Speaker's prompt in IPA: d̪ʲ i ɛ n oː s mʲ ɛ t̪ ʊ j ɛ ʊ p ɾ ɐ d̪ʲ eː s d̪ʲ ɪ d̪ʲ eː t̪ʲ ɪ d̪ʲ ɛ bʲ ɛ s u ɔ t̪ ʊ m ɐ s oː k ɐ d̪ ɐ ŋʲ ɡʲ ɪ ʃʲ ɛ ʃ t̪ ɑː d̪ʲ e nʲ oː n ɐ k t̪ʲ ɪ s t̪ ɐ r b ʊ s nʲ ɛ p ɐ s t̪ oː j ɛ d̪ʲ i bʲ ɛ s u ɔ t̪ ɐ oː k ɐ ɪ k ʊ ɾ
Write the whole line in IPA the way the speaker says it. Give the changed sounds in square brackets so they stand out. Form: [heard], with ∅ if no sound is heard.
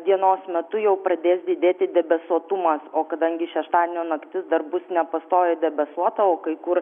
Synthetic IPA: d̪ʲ i ɛ n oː s mʲ ɛ t̪ ʊ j ɛ ʊ p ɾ ɐ d̪ʲ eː s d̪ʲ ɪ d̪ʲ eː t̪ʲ ɪ d̪ʲ ɛ bʲ ɛ s u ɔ t̪ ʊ m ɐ s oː k ɐ d̪ ɐ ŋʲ ɡʲ ɪ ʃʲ ɛ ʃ t̪ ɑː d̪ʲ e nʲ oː n ɐ k t̪ʲ ɪ s [d̪] ɐ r b ʊ s nʲ ɛ p ɐ s t̪ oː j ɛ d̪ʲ [ɛ] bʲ ɛ s u ɔ t̪ ɐ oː k ɐ ɪ k ʊ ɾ